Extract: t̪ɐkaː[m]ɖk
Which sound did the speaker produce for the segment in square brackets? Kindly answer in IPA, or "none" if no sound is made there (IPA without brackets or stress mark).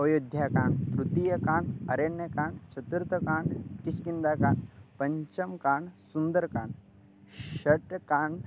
ɳ